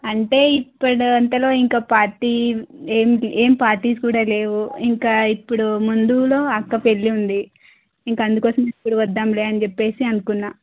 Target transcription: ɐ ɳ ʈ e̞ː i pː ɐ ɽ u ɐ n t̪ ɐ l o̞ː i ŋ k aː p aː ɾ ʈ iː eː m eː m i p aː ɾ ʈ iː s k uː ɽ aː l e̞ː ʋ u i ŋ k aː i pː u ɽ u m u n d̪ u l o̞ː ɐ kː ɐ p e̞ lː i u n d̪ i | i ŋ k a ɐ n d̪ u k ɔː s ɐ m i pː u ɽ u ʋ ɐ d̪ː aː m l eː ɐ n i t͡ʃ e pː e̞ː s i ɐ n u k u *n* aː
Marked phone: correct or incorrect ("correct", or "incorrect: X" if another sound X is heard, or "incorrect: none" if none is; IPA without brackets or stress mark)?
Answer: incorrect: nː